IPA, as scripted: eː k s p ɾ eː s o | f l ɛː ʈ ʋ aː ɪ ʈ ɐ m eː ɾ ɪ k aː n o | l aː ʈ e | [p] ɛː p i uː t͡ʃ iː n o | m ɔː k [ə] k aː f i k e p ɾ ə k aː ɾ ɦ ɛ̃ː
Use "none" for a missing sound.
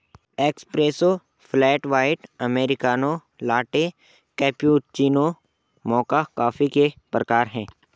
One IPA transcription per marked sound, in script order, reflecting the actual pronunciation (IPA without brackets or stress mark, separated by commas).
k, a